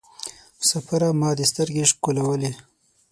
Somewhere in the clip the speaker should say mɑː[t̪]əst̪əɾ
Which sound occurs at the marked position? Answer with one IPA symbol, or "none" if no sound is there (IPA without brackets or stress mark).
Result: d̪